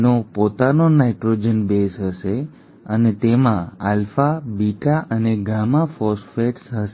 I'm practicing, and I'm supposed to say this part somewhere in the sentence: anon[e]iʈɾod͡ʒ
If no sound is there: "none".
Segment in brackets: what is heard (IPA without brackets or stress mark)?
a